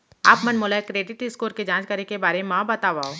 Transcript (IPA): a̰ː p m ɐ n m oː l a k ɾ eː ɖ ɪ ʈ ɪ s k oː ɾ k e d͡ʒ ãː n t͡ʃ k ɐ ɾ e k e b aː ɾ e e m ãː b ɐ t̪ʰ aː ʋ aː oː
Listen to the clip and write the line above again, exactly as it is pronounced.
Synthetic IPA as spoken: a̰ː p m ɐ n m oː l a k ɾ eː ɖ ɪ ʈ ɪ s k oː ɾ k e d͡ʒ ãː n t͡ʃ k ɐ ɾ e k e b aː ɾ e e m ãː b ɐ t̪ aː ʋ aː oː